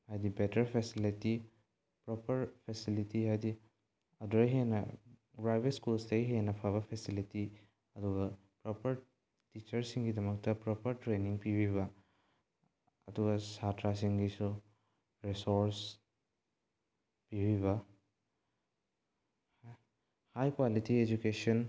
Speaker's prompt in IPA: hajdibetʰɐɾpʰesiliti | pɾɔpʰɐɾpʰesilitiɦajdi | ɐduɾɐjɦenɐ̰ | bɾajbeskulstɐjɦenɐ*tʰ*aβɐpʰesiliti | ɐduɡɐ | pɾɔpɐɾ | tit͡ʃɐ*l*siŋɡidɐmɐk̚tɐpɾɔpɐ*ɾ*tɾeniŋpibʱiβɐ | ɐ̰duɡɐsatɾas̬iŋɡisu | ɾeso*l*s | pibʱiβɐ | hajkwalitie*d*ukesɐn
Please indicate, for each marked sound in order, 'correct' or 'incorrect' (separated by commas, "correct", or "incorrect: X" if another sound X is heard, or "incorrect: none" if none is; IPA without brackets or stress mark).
incorrect: pʰ, incorrect: ɾ, correct, incorrect: ɾ, incorrect: d͡ʒ